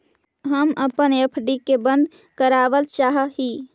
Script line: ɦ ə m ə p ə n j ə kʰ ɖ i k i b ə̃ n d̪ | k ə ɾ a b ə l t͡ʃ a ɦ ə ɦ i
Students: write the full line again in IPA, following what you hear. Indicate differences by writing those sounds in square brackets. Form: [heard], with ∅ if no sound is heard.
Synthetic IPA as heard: ɦ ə m ə p ə n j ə [pʰ] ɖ i k [e] b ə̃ n d̪ | k ə ɾ a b ə l t͡ʃ a ɦ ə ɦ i